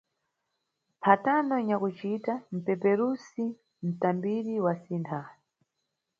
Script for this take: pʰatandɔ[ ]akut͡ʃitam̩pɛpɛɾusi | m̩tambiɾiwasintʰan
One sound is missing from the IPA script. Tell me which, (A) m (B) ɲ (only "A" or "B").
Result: B